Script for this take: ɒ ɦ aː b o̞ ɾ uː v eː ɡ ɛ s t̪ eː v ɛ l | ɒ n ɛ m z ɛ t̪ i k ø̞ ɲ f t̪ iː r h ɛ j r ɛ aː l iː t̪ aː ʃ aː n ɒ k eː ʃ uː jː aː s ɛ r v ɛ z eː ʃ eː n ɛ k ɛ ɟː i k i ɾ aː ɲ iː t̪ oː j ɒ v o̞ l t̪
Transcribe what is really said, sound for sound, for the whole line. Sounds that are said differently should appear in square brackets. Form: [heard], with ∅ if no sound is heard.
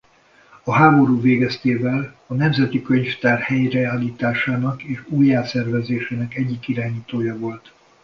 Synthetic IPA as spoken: ɒ ɦ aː b o̞ ɾ uː v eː ɡ ɛ s t̪ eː v ɛ l | ɒ n ɛ m z ɛ t̪ i k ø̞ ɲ f t̪ [aː] r h ɛ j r ɛ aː l iː t̪ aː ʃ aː n ɒ k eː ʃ uː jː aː s ɛ r v ɛ z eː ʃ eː n ɛ k ɛ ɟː i k i ɾ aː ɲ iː t̪ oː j ɒ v o̞ l t̪